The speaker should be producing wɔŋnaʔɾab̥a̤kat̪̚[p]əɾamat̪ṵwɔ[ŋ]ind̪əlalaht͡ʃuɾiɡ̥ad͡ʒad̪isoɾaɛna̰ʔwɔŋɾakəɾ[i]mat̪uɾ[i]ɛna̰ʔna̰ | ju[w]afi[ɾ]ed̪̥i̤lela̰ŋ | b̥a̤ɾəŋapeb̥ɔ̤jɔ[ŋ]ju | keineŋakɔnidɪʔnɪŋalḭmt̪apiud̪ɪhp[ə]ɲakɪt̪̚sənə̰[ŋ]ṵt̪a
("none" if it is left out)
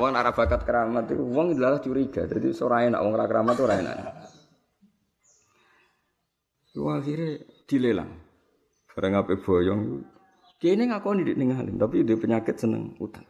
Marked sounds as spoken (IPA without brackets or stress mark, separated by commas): k, ŋ, a, a, w, ɾ, ŋ, ə, ŋ